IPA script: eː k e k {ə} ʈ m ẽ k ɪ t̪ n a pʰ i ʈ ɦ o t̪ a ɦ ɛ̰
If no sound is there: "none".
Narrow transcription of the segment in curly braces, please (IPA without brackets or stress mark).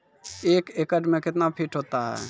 ə